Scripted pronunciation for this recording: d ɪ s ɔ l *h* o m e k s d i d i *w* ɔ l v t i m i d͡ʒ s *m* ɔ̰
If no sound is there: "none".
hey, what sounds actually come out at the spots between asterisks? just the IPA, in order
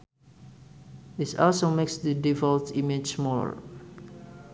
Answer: s, v, m

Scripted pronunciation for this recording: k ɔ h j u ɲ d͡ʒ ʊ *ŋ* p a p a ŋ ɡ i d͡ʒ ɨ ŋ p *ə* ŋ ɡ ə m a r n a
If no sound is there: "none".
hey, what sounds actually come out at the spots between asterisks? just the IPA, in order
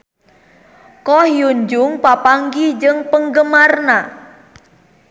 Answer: ŋ, ə

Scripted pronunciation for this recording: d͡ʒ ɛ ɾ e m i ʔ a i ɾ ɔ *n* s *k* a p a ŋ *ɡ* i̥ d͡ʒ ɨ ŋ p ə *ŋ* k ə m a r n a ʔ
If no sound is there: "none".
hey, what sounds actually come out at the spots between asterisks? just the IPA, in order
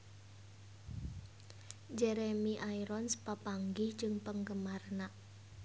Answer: n, p, ɡ, ŋ

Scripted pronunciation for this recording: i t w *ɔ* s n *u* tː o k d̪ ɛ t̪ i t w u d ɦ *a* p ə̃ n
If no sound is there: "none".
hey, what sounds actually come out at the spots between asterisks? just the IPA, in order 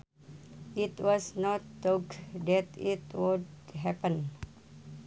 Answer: ɔ, ɔ, ɛ

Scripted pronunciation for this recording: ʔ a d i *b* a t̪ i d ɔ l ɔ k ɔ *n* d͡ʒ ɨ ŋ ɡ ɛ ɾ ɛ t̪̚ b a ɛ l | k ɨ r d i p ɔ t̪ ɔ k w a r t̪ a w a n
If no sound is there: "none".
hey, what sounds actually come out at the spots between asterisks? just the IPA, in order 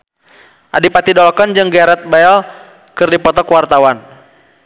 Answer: p, n

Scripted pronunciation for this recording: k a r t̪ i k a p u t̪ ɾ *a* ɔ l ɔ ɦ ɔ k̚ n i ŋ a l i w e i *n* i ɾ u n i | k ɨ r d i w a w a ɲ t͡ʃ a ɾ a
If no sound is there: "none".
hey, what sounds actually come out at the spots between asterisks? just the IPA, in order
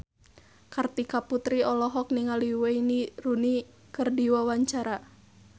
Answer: i, n

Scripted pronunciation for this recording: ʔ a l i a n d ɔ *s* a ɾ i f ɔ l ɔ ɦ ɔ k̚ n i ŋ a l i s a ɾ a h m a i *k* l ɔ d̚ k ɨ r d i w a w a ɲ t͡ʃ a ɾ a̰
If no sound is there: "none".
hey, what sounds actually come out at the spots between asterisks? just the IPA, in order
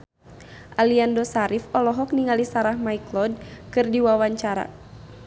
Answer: s, k

